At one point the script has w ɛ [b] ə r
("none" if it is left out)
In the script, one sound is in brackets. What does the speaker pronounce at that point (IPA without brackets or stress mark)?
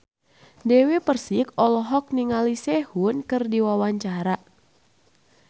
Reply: p